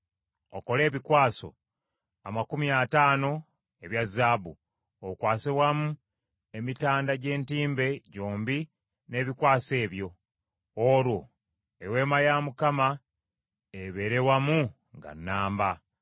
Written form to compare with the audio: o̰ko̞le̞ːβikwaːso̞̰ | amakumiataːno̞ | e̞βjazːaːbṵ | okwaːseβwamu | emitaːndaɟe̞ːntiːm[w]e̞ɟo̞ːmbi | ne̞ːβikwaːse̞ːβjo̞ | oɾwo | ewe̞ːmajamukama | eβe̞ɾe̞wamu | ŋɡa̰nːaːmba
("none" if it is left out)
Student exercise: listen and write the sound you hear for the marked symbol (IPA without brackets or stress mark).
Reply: b